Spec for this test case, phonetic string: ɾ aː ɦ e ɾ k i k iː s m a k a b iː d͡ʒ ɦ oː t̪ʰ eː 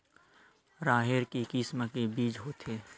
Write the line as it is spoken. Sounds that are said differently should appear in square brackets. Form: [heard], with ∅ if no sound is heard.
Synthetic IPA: ɾ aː ɦ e ɾ k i k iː s m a k [e] b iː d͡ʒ ɦ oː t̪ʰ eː